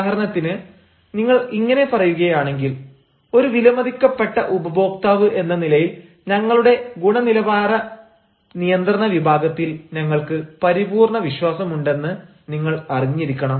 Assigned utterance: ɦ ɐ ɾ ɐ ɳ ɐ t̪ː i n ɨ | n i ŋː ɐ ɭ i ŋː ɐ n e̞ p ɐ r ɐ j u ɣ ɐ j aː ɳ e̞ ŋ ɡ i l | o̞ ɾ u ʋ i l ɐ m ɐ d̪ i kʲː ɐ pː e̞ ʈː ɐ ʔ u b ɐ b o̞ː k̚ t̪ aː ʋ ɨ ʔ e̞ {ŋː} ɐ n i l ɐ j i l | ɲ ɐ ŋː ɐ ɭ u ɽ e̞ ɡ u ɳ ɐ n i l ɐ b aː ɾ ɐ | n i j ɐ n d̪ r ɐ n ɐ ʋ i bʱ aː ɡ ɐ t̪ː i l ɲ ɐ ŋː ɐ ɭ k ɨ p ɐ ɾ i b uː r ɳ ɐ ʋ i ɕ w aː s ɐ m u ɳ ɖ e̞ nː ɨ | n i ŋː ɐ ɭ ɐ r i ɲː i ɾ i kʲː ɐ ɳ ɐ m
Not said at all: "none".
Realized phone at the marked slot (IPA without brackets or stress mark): nː